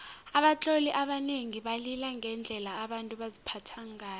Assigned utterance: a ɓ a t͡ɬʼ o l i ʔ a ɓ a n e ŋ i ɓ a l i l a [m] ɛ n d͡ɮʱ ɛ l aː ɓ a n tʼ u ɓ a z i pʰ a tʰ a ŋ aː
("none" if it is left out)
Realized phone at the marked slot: ŋ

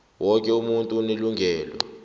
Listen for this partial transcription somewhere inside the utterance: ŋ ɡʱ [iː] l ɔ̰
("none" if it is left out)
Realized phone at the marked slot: ɛː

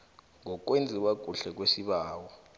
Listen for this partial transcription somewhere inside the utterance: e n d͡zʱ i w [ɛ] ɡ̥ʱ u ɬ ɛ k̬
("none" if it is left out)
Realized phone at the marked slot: a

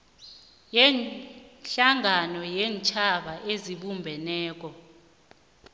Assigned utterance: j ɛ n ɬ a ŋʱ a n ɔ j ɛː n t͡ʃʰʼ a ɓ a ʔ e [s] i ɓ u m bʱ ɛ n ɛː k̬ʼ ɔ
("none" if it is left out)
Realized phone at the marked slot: z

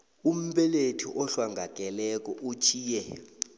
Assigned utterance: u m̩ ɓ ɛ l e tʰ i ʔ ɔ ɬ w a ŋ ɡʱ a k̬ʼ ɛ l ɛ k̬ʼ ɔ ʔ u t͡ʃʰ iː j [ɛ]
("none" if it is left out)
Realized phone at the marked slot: ɛ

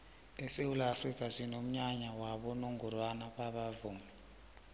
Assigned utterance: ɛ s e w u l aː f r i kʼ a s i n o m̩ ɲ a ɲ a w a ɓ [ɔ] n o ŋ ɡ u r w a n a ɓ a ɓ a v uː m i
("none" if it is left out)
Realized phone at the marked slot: ɔ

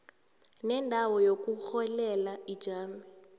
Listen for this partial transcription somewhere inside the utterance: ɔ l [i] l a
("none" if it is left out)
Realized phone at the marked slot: ɛ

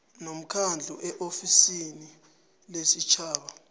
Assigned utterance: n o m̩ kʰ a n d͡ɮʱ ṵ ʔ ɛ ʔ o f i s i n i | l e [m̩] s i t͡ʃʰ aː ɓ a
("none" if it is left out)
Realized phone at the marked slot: none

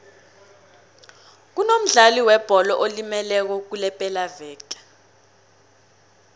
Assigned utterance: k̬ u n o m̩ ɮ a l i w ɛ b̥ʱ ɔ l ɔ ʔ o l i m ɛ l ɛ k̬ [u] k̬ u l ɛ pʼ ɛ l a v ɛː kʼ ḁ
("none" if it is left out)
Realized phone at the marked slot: ɔ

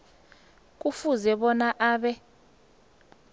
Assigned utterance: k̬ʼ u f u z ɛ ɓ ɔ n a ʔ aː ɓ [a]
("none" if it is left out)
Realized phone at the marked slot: ɛ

